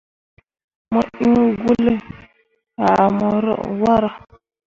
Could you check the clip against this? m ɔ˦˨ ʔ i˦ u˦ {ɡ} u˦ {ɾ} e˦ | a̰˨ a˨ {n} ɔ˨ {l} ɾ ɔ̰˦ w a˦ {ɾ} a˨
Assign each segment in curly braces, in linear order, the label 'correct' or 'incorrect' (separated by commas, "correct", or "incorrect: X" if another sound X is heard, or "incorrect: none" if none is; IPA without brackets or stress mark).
correct, incorrect: l, incorrect: m, incorrect: none, correct